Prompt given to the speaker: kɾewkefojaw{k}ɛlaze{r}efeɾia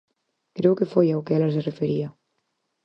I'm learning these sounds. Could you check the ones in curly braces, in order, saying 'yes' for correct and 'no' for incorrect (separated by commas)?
yes, yes